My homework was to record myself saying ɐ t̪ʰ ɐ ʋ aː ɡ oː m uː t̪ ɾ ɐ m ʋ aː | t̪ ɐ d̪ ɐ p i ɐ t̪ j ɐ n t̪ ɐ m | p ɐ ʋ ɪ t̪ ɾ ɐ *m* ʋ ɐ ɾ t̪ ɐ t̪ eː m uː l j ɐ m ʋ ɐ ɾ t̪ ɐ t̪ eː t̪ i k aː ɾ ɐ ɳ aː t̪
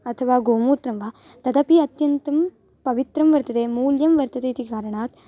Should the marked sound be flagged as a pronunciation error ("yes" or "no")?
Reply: no